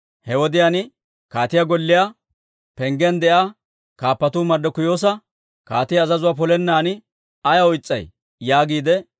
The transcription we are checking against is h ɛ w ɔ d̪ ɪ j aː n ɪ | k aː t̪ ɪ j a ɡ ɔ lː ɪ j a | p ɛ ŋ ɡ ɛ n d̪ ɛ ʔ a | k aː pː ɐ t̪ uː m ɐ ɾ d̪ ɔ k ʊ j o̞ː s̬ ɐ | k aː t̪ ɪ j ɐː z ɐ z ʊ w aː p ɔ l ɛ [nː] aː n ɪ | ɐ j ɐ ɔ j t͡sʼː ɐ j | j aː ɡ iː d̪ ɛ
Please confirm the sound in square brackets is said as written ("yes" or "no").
yes